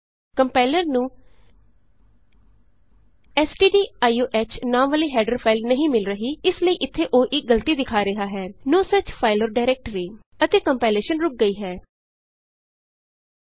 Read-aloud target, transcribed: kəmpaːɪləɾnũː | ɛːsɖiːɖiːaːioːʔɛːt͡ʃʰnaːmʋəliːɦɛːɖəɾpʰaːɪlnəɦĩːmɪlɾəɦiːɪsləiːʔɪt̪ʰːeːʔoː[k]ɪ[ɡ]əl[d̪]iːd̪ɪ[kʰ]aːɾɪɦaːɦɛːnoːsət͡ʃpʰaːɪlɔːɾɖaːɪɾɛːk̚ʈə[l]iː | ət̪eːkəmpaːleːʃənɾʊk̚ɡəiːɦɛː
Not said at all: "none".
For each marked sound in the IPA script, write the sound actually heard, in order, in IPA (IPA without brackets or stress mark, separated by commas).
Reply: ʔ, ɡ, t̪, kʰ, ɾ